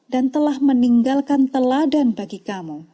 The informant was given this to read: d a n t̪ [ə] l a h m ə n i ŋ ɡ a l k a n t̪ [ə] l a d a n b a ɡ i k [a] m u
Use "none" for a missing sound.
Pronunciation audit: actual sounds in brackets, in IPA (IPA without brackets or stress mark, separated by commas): ə, ə, a